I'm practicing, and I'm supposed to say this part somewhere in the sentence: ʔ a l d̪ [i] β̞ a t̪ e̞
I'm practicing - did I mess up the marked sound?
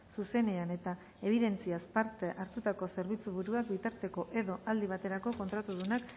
no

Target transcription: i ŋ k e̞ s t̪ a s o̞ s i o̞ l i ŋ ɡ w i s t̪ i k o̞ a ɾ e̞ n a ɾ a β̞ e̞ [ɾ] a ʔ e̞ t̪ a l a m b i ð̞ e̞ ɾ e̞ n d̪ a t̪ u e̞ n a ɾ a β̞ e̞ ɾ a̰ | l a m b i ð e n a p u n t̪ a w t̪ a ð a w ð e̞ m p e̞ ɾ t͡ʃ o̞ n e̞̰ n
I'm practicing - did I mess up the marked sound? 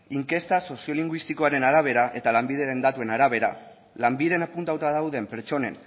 no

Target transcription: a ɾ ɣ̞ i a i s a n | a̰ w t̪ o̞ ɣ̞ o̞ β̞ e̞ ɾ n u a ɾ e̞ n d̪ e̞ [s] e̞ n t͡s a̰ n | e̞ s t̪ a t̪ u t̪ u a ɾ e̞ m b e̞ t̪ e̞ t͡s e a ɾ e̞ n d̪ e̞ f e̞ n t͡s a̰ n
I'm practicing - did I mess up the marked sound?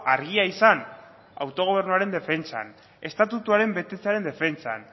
yes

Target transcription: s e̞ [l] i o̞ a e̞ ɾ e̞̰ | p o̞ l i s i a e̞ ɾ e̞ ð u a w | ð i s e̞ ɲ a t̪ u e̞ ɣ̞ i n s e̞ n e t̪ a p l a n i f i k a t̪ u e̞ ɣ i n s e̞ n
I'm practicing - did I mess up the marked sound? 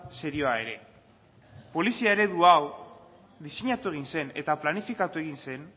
yes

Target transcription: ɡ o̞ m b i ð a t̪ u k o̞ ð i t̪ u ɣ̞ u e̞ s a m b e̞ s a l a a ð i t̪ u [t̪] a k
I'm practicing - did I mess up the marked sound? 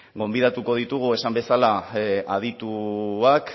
yes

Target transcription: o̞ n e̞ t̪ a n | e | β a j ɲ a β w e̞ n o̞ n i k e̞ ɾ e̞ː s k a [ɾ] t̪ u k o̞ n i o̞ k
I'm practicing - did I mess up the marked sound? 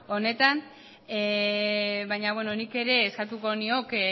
yes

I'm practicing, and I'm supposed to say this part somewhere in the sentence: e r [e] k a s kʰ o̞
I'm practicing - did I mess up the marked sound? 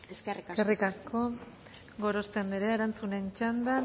yes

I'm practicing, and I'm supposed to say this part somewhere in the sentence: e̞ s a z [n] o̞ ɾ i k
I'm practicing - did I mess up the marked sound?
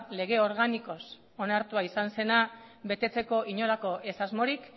yes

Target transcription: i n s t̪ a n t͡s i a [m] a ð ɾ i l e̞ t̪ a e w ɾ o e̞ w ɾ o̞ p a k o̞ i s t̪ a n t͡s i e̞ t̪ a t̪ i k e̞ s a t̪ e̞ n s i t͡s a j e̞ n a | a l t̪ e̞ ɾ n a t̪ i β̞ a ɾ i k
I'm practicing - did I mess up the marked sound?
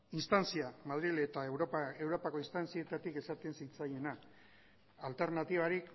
no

